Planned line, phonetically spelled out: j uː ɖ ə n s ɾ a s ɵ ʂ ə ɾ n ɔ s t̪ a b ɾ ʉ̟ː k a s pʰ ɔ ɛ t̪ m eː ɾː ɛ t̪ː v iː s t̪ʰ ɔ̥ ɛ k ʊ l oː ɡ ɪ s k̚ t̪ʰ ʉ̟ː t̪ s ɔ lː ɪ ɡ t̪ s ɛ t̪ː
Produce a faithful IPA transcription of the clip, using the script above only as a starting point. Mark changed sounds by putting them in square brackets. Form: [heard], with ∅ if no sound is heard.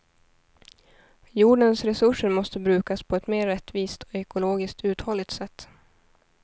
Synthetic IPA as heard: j uː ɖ ə n s ɾ [ɛ] s ɵ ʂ ə ɾ [m] ɔ s t̪ [ə] b ɾ ʉ̟ː k a s pʰ ɔ ɛ t̪ m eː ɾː ɛ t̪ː v iː s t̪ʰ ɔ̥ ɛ k ʊ l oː ɡ ɪ s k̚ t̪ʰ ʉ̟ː t̪ [h] ɔ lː ɪ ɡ t̪ s ɛ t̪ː